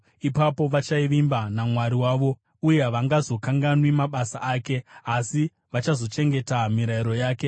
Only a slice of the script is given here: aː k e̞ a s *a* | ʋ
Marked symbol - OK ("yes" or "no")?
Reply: no